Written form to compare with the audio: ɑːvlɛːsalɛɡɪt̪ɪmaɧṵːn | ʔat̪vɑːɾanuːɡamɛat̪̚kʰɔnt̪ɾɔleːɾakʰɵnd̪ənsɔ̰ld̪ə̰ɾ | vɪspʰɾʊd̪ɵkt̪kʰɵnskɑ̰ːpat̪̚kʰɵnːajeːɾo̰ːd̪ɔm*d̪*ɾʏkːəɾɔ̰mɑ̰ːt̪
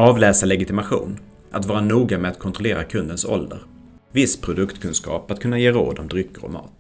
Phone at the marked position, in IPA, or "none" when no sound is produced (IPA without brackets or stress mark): d̪